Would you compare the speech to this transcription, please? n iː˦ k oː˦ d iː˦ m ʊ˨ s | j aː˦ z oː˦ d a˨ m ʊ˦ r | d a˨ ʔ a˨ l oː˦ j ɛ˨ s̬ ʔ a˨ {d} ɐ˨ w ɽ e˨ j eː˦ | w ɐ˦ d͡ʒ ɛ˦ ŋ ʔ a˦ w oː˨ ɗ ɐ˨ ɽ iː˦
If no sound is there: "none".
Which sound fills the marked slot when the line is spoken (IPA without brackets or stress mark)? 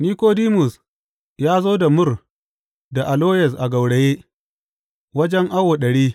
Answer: ɡ